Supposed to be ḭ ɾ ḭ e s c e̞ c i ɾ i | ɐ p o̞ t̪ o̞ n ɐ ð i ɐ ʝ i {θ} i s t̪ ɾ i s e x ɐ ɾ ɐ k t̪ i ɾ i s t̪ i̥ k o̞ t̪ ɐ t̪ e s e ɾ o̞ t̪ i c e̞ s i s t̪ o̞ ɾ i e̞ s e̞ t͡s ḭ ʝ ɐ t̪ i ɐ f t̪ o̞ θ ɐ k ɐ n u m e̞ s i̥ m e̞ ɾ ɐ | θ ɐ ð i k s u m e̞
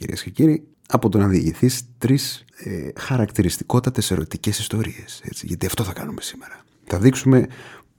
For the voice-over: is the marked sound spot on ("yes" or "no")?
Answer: yes